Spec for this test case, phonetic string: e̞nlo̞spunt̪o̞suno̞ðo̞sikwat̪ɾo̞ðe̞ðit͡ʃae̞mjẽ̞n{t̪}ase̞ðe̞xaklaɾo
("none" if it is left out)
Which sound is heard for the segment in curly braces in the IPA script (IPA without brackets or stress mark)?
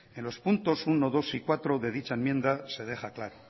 d̪